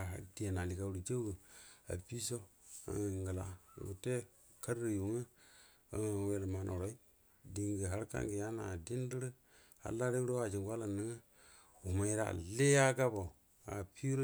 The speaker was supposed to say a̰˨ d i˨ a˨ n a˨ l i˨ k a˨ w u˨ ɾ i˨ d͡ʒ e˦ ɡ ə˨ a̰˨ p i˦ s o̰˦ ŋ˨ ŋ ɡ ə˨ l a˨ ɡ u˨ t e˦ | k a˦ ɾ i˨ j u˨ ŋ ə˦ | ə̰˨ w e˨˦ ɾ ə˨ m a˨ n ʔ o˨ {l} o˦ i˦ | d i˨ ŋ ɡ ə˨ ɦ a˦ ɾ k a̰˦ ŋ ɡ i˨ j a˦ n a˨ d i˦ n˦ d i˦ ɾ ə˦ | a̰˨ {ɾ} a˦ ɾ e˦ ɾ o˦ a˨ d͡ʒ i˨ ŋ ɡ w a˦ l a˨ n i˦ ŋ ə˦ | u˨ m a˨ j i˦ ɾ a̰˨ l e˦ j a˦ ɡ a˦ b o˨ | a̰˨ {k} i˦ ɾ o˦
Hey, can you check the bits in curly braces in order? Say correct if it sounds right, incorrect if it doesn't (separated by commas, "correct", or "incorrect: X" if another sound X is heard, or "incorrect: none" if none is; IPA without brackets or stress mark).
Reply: incorrect: ɾ, incorrect: l, incorrect: p